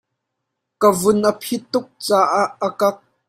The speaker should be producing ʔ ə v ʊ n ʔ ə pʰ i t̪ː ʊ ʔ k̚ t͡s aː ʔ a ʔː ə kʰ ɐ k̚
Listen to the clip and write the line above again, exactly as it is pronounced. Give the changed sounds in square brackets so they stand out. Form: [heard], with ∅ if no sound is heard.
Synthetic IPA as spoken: [k] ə v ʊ n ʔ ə pʰ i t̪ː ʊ [∅] k̚ t͡s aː ʔ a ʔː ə [k] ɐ k̚